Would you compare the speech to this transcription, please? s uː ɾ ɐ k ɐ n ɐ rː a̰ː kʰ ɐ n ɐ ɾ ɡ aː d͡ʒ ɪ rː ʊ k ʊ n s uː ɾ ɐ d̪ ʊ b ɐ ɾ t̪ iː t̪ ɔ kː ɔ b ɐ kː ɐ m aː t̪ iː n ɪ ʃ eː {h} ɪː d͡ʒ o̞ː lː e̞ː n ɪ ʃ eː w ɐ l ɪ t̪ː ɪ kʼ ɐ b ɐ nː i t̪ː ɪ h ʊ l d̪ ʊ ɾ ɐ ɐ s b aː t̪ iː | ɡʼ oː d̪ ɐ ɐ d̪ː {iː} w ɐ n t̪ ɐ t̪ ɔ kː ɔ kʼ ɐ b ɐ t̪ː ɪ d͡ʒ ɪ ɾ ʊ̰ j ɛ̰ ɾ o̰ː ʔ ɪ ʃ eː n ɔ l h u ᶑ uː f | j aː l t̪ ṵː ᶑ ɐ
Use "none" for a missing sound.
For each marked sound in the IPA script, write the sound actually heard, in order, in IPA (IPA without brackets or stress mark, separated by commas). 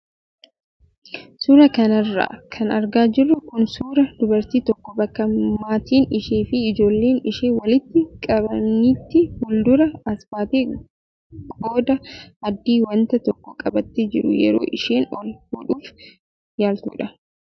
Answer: f, iː